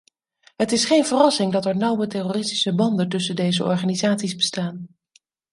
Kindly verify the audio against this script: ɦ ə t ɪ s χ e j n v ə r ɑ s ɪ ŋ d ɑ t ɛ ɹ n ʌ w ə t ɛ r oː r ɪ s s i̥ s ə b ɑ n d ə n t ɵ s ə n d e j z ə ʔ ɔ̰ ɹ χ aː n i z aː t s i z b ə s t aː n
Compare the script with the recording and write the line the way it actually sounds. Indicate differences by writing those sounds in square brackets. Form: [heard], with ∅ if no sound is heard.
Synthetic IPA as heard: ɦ ə t ɪ s χ e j n v ə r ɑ s ɪ ŋ d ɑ t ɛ ɹ n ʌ w ə t ɛ r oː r ɪ s [t] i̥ s ə b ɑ n d ə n t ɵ s ə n d e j z ə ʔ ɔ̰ ɹ χ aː n i z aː t s i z b ə s t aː n

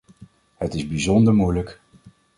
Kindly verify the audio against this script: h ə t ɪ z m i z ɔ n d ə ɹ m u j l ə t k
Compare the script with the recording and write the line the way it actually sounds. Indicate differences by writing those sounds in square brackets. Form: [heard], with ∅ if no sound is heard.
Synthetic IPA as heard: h ə t ɪ z [b] i z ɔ n d ə ɹ m u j l ə [∅] k

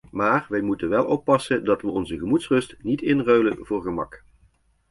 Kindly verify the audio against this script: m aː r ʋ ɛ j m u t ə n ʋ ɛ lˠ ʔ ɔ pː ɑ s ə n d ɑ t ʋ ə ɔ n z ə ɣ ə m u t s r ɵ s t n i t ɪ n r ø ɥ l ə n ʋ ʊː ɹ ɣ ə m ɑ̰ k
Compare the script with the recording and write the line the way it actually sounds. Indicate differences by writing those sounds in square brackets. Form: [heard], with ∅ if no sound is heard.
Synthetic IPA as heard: m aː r ʋ ɛ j m u t ə n ʋ ɛ lˠ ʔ ɔ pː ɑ s ə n d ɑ t ʋ ə ɔ n z ə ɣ ə m u t s r ɵ s t n i t ɪ n r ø ɥ l ə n [v] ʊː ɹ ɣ ə m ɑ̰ k

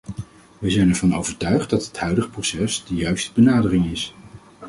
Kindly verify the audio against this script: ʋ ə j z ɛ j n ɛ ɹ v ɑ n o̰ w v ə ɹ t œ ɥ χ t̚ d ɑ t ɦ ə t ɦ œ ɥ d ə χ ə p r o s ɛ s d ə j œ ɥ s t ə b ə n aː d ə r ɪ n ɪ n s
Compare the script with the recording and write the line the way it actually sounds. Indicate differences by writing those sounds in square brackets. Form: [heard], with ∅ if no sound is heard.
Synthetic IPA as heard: ʋ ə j z ɛ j n ɛ ɹ v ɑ n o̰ w v ə ɹ t œ ɥ χ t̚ d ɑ t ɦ ə t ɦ œ ɥ d ə χ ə p r o s ɛ s d ə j œ ɥ s t ə b ə n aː d ə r ɪ [ŋ] ɪ [∅] s

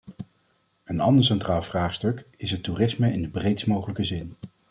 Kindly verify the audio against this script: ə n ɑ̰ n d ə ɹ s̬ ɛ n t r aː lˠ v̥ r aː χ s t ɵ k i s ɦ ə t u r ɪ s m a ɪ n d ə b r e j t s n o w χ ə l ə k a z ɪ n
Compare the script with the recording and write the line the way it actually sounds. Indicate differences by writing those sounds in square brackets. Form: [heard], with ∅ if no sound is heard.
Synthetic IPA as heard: ə n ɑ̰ n d ə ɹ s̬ ɛ n t r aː lˠ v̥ r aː χ s t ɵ k [ɪ] s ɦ ə t u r ɪ s m [ə] ɪ n d ə b r e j t s [m] o w χ ə l ə k [ə] z ɪ n

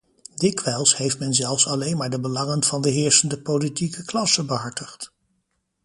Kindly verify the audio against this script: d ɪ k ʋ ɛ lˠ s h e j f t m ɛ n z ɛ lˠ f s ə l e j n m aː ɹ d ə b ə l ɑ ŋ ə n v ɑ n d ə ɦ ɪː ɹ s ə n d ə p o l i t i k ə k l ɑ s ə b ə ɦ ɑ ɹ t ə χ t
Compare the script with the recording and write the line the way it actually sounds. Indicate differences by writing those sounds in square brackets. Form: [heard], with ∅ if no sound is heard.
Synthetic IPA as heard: d ɪ k ʋ ɛ lˠ s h e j f t m ɛ n z ɛ lˠ f s [ɑ] l e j n m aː ɹ d ə b ə l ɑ ŋ ə n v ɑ n d ə ɦ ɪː ɹ s ə n d ə p o l i t i k ə k l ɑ s ə b ə ɦ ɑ ɹ t ə χ t

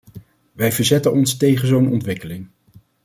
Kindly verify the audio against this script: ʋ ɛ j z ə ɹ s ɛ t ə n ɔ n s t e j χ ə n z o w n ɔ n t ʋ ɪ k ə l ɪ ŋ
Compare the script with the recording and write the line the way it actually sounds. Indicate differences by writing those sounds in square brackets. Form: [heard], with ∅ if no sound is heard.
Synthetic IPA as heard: ʋ ɛ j [v] ə ɹ [z] ɛ t ə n ɔ n s t e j χ ə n z o w n ɔ n t ʋ ɪ k ə l ɪ ŋ

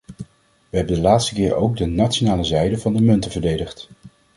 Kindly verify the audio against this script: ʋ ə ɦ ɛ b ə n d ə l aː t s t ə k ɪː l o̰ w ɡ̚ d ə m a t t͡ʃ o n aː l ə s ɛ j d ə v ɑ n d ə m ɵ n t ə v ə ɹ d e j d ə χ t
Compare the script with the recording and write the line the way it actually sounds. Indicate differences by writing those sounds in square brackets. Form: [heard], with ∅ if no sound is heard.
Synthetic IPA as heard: ʋ ə ɦ ɛ b ə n d ə l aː t s t ə k ɪː [ɹ] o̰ w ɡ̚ d ə [n] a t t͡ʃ o n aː l ə [z] ɛ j d ə v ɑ n d ə m ɵ n t ə v ə ɹ d e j d ə χ t

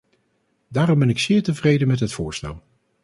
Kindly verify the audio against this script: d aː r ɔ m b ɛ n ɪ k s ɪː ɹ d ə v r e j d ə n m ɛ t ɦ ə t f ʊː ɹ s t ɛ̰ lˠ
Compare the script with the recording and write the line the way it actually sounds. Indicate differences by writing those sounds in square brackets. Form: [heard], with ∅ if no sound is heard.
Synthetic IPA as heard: d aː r ɔ m b ɛ n ɪ k s ɪː ɹ [t] ə v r e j d ə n m ɛ t ɦ ə t f ʊː ɹ s t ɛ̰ lˠ

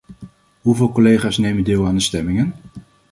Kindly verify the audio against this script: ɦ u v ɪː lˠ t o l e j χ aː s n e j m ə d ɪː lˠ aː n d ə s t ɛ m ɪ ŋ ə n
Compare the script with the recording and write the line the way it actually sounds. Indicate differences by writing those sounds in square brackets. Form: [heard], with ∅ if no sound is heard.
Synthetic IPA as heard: ɦ u v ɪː lˠ [k] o l e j χ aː s n e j m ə d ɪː lˠ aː n d ə s t ɛ m ɪ ŋ ə n

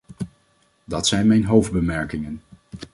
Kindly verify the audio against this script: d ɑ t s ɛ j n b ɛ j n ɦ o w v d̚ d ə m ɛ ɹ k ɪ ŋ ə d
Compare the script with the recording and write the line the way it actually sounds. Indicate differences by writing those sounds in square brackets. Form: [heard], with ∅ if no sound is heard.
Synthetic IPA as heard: d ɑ t s ɛ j n [m] ɛ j n ɦ o w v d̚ [b] ə m ɛ ɹ k ɪ ŋ ə [n]

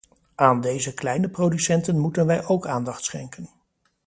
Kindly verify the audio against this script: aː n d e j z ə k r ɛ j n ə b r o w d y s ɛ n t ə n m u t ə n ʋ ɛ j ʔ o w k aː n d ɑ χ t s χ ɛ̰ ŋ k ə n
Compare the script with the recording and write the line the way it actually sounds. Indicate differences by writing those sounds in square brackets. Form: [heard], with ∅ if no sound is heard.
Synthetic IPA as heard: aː n d e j z ə k [l] ɛ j n ə [p] r o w d y s ɛ n t ə n m u t ə n ʋ ɛ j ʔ o w k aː n d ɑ χ t s χ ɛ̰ ŋ k ə n

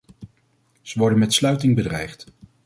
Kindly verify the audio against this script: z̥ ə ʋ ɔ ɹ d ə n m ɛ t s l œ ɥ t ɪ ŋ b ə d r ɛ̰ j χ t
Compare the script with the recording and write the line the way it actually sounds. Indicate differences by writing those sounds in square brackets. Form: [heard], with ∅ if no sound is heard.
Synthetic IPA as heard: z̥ ə ʋ ɔ ɹ d ə n m ɛ t s l œ ɥ t ɪ ŋ b ə d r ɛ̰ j χ t

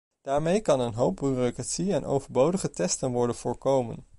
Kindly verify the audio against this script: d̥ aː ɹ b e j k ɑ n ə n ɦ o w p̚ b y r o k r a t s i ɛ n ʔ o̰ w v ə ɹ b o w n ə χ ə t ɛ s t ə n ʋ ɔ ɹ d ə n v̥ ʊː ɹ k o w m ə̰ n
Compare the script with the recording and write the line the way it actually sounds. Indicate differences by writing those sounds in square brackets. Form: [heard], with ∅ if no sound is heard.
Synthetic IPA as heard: d̥ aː ɹ [m] e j k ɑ n ə n ɦ o w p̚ b y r o k r a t s i ɛ n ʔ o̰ w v ə ɹ b o w [d] ə χ ə t ɛ s t ə n ʋ ɔ ɹ d ə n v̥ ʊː ɹ k o w m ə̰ n

